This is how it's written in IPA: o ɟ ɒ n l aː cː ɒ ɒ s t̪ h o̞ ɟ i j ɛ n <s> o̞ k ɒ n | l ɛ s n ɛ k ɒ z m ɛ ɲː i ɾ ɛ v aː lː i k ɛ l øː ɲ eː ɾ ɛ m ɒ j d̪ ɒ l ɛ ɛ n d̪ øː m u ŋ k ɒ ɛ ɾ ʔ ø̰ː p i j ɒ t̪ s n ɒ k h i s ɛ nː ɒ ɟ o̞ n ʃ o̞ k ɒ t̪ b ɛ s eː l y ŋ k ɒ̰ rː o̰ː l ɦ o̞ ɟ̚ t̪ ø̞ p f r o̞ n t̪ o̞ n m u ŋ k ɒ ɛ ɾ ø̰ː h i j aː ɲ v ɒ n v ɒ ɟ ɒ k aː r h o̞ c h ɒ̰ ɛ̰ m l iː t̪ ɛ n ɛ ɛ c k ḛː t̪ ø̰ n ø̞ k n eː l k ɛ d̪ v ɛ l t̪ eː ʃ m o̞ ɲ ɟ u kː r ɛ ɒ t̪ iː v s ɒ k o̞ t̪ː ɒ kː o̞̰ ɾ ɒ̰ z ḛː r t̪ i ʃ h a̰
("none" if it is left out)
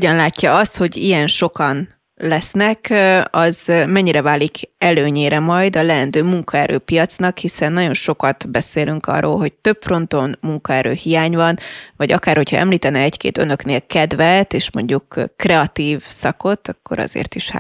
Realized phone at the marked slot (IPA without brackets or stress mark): ʃ